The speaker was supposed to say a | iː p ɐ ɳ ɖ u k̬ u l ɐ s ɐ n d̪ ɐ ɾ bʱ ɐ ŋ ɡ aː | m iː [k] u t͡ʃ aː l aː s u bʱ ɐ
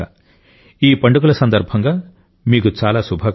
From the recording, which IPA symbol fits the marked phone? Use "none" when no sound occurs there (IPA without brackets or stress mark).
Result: k